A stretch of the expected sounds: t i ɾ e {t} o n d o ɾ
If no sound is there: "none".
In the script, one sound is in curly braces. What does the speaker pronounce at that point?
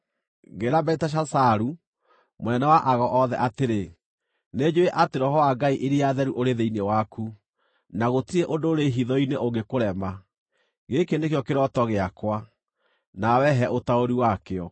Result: ʔ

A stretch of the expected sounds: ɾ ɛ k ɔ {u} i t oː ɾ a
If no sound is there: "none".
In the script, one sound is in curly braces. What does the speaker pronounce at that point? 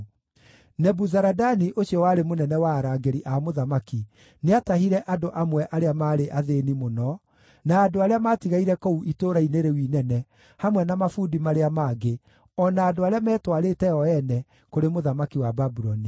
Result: u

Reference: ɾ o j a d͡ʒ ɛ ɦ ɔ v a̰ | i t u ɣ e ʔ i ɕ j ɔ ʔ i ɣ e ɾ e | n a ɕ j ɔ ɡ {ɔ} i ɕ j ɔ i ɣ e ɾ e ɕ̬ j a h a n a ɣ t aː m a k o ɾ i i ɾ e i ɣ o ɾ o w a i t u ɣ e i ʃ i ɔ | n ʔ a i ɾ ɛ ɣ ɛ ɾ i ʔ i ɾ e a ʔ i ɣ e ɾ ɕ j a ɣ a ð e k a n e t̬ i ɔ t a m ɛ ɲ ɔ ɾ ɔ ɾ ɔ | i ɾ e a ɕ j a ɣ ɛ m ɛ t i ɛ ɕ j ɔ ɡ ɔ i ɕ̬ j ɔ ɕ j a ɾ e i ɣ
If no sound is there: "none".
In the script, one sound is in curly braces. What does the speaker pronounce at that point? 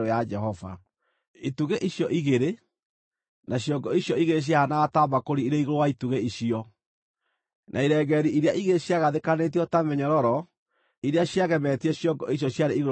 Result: ɔ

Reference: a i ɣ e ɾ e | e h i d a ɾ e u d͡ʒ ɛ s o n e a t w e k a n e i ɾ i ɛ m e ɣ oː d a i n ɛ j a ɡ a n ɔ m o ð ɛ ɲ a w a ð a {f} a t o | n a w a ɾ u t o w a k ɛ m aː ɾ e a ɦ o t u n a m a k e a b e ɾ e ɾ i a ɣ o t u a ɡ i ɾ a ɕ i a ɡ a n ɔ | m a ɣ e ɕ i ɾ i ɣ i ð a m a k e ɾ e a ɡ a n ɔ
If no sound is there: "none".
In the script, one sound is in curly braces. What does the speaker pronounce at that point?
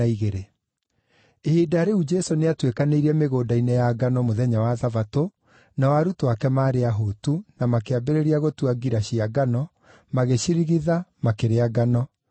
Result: v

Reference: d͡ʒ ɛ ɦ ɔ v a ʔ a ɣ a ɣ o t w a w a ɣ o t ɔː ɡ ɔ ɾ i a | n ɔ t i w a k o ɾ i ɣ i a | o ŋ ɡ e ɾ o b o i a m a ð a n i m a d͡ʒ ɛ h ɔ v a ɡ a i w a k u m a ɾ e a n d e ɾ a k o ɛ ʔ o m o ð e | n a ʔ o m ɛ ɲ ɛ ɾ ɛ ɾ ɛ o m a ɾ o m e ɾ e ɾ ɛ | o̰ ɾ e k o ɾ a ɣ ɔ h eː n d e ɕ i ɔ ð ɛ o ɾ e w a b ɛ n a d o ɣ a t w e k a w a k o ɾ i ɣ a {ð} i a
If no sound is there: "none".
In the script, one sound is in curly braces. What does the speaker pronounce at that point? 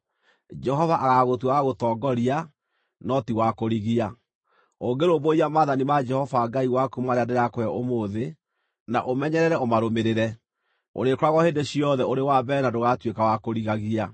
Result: ɣ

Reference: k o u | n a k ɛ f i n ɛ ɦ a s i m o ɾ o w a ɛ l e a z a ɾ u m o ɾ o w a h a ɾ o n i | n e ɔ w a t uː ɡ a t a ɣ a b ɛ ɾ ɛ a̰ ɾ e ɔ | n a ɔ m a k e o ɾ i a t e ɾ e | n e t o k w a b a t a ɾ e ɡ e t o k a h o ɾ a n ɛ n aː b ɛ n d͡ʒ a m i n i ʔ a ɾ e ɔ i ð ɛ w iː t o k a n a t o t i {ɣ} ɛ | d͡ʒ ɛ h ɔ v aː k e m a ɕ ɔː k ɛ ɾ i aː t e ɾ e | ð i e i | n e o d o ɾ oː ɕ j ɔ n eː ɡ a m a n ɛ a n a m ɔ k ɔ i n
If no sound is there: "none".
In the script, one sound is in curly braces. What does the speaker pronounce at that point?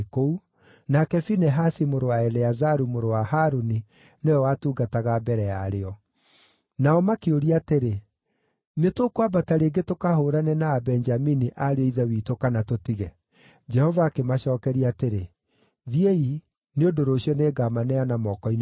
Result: ɣ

